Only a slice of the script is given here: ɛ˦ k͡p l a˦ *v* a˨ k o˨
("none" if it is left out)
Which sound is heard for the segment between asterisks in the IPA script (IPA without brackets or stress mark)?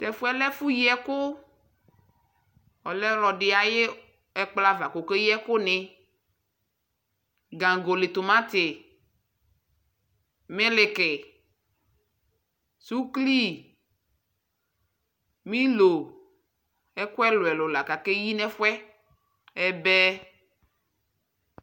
v